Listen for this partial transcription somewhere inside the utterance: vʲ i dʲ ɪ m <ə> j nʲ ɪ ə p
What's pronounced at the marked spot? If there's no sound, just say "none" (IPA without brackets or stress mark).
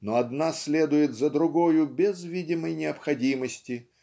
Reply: ə